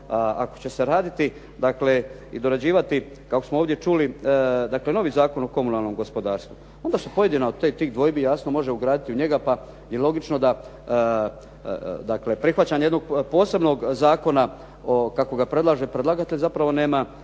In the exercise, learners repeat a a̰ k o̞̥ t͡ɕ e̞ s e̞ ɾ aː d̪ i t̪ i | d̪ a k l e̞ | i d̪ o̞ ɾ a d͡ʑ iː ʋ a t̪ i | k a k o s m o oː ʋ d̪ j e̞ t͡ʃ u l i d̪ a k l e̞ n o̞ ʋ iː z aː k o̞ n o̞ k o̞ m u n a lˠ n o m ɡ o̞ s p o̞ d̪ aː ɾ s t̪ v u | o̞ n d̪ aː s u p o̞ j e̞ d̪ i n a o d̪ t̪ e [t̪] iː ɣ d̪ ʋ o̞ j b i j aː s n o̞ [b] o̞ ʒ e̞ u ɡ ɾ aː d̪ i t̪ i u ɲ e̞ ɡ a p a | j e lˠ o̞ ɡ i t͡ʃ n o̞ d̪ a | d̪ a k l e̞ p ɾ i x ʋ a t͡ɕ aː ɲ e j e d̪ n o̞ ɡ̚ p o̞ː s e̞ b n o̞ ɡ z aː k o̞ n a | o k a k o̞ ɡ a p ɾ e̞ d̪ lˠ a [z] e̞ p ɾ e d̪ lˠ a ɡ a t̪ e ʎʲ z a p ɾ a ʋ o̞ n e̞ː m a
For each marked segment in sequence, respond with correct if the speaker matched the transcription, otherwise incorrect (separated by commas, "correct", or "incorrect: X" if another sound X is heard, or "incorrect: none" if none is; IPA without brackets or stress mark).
correct, incorrect: m, incorrect: ʒ